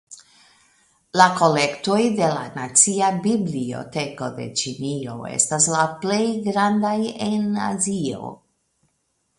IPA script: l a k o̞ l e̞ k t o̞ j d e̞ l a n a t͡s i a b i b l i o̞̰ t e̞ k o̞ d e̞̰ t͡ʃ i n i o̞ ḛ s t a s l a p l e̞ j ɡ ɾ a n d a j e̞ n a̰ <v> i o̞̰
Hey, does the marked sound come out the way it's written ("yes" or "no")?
no